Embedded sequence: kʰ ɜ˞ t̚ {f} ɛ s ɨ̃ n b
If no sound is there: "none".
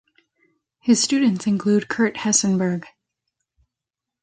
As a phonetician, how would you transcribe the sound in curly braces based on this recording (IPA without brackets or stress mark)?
h